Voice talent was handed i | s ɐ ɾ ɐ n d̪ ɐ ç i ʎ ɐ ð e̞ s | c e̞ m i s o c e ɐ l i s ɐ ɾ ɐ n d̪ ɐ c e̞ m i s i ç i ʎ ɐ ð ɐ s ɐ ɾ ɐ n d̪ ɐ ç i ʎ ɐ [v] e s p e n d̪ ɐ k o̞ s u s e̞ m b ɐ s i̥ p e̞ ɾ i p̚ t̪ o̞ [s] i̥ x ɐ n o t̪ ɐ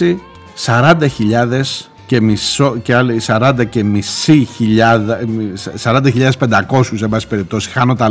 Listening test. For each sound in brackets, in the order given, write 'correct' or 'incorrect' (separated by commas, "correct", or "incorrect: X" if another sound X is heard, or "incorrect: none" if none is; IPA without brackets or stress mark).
incorrect: ð, correct